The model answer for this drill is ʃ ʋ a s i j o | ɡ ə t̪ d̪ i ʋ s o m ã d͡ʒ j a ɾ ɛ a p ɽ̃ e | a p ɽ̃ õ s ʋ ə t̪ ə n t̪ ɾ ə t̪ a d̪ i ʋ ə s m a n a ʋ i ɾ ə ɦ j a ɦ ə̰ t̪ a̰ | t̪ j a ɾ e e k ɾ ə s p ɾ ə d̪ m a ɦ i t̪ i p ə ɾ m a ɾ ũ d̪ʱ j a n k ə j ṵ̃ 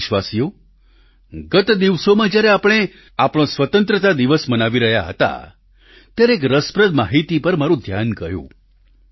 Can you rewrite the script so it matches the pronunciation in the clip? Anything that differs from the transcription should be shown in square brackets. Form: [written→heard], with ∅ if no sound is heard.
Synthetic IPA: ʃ ʋ a s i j o | ɡ ə t̪ d̪ i ʋ s o m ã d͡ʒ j a ɾ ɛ a p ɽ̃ e | a p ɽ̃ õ s ʋ ə t̪ ə n t̪ ɾ ə t̪ a d̪ i ʋ ə s m [a→ə] n a ʋ i ɾ ə ɦ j a ɦ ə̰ t̪ a̰ | t̪ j a ɾ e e k ɾ ə s p ɾ ə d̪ m a ɦ i t̪ i p ə ɾ m a ɾ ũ d̪ʱ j a n k ə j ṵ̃

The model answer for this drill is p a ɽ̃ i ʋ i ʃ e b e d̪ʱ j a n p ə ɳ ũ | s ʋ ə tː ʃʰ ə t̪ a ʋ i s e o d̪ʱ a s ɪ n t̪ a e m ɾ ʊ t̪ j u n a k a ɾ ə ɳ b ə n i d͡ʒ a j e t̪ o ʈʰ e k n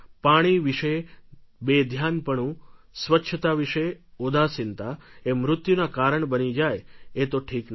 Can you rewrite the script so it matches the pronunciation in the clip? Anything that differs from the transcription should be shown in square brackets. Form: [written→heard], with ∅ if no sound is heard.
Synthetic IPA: p a ɽ̃ i ʋ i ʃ e b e d̪ʱ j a n p ə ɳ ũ | s ʋ ə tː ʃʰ ə t̪ a ʋ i [s→ʃ] e o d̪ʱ a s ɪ n t̪ a e m ɾ ʊ t̪ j u n a k a ɾ ə ɳ b ə n i d͡ʒ a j e t̪ o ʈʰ [e→i] k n

